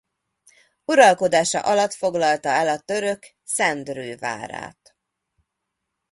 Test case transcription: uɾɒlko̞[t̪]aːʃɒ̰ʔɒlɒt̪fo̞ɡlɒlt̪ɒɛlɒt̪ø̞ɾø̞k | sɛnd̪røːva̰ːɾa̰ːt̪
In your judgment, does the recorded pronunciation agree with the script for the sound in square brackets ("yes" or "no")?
no